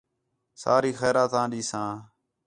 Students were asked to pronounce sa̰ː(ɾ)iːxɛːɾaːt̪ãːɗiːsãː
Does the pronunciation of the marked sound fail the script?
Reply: no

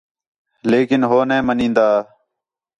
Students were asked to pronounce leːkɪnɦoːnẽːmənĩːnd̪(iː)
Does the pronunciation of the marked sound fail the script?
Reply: yes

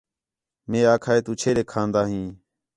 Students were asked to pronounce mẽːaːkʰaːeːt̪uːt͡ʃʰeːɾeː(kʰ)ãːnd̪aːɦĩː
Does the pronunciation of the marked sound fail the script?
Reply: no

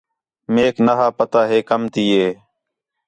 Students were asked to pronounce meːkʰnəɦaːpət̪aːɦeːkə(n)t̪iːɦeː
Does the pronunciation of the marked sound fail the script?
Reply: yes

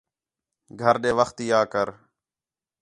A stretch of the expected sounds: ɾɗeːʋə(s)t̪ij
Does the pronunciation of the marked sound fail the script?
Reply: yes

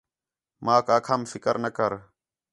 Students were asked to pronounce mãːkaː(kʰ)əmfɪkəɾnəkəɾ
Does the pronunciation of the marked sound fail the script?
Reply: no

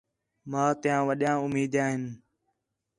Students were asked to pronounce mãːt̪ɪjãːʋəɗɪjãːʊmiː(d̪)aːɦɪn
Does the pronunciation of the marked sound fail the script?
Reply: no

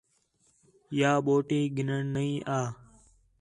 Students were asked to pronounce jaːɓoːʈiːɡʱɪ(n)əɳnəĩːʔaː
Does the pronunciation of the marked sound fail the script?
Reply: no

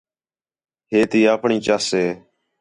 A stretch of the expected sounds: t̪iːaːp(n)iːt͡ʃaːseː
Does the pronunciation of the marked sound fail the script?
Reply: yes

